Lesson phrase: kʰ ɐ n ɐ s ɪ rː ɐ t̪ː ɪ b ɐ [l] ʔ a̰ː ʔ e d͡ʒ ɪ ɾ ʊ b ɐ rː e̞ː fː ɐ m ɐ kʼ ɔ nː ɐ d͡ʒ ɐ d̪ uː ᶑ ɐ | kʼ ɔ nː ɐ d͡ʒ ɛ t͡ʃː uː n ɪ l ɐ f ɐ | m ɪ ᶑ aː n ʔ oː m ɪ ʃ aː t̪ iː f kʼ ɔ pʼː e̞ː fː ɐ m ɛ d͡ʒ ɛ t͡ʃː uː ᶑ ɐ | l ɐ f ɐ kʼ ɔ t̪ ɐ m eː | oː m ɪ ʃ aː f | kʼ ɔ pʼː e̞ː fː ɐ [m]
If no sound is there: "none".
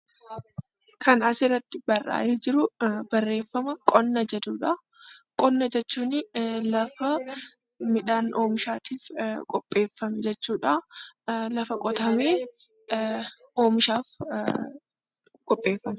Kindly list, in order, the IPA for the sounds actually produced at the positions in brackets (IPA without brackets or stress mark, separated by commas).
r, m